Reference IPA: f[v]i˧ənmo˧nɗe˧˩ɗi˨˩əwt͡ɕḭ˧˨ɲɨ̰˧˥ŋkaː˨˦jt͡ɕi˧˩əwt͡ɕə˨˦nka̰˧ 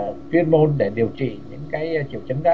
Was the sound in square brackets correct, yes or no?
no